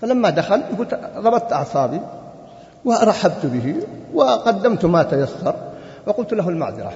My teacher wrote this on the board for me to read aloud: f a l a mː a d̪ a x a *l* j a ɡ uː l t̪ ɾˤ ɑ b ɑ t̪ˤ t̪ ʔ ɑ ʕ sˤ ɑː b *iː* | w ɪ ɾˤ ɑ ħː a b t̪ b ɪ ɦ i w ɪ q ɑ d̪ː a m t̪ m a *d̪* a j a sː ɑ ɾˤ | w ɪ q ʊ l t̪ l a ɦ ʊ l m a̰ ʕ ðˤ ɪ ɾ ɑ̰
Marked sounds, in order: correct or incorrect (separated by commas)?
correct, incorrect, incorrect